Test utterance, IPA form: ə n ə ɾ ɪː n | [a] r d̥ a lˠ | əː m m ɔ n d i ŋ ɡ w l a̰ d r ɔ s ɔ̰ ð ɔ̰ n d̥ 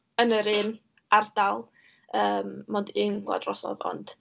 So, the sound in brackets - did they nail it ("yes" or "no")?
yes